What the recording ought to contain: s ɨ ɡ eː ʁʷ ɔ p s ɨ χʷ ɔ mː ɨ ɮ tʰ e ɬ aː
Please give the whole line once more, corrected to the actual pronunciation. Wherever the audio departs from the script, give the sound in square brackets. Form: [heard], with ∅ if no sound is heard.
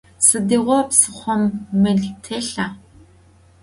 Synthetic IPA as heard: s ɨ [d] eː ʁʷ ɔ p s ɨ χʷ ɔ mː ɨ ɮ tʰ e ɬ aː